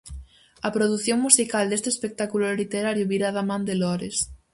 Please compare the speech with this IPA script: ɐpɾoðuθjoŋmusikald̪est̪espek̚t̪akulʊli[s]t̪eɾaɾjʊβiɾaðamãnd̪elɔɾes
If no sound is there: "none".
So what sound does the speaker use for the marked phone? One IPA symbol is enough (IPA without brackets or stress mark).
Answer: none